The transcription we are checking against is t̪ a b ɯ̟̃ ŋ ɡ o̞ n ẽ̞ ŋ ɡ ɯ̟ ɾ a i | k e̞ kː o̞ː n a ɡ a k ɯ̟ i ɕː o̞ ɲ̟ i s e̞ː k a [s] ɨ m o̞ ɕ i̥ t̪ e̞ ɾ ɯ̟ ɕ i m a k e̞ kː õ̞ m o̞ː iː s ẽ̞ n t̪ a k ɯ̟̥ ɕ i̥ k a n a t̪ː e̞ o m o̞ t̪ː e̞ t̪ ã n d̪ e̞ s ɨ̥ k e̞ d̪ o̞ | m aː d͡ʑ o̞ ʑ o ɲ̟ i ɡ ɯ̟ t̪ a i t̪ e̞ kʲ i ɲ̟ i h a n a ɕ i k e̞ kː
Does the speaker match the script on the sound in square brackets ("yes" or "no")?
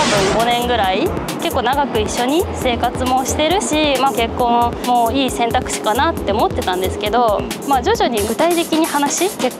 no